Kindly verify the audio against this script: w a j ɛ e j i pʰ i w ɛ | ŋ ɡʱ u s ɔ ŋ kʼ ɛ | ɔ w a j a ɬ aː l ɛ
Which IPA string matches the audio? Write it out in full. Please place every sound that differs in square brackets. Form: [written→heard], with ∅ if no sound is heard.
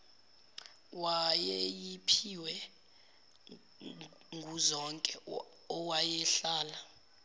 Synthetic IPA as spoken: w a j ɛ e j i pʰ i w ɛ | ŋ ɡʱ u [s→z] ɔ ŋ kʼ ɛ | ɔ w a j [a→ɛ] ɬ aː l [ɛ→a]